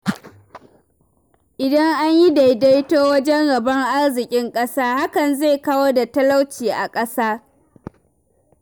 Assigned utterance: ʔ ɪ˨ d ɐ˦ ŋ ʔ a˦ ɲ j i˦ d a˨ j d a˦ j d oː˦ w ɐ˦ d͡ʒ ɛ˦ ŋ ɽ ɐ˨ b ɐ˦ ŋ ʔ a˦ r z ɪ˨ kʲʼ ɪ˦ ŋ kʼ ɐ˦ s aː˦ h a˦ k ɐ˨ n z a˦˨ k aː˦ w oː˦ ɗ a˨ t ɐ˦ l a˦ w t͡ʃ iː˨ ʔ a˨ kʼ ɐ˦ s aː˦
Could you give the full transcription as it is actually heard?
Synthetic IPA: ʔ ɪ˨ d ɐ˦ ŋ ʔ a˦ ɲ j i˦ d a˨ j d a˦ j t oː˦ w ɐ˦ d͡ʒ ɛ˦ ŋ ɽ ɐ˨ b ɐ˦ ŋ ʔ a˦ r z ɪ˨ kʲʼ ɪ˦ ŋ kʼ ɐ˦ s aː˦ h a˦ k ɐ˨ n z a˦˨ k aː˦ w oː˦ d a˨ t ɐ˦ l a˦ w t͡ʃ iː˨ ʔ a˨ kʼ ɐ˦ s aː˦